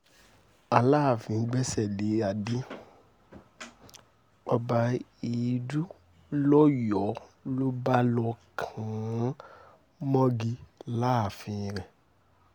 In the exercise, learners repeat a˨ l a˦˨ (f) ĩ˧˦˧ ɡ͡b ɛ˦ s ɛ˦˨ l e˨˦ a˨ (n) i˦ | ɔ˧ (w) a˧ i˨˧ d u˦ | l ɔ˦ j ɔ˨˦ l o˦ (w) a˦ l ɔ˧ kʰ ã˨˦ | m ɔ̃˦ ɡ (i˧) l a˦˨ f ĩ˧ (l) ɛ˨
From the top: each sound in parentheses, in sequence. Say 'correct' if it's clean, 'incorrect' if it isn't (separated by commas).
correct, incorrect, incorrect, incorrect, correct, incorrect